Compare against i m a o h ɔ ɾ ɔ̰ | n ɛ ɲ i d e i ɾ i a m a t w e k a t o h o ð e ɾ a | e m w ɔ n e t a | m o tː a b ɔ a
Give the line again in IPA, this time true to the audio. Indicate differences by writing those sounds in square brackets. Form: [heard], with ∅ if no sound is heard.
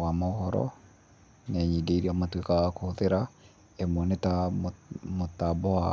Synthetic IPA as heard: [a] m a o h ɔ ɾ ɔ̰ | n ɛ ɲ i d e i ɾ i a m a t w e k a [k] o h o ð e ɾ a | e m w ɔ n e t a | m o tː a b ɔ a